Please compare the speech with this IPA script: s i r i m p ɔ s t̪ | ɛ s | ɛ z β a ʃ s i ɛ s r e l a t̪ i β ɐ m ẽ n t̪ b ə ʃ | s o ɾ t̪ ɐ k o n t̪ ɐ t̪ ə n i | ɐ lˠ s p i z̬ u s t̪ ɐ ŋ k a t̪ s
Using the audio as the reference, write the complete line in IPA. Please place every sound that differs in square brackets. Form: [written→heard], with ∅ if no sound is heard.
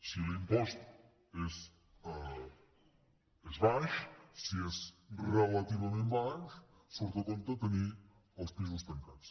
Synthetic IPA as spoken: s i [r→l] i m p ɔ s t̪ | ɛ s | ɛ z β a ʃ s i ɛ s r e l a t̪ i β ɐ m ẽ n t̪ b [ə→a] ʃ | s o ɾ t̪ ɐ k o n t̪ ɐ t̪ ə n i | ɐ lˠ s p i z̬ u s t̪ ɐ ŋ k a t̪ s